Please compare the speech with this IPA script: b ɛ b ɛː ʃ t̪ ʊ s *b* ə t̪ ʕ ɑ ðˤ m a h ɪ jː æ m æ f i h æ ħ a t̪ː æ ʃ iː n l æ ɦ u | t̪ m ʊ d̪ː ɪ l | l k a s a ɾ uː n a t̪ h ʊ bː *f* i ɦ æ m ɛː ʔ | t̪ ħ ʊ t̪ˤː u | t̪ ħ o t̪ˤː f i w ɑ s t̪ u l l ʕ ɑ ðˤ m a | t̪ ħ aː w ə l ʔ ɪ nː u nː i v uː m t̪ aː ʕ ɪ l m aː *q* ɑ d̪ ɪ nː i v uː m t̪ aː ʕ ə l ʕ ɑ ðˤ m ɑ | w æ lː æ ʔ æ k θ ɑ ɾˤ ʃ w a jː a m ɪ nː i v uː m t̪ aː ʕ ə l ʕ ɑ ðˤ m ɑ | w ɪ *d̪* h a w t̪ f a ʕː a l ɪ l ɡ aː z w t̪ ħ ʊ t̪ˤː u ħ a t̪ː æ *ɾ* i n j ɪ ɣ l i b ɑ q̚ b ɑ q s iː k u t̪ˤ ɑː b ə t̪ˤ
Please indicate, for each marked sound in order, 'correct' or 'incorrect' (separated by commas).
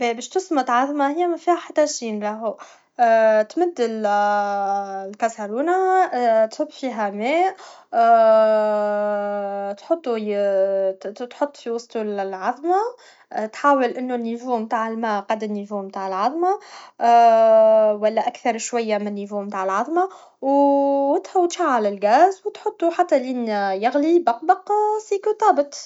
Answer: incorrect, correct, correct, incorrect, incorrect